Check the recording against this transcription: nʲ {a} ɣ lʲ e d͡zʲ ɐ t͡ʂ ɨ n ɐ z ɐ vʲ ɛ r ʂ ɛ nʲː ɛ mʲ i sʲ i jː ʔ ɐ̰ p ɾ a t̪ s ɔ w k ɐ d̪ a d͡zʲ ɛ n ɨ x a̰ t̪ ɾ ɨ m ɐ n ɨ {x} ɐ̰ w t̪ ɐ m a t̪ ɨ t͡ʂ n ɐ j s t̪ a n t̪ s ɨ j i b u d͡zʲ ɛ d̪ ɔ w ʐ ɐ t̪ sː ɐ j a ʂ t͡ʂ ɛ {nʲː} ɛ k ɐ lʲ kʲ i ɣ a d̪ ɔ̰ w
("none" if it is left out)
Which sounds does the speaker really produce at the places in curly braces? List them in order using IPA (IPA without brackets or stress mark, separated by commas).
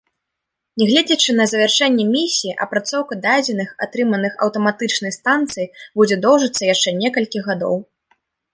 ɛ, x, nʲ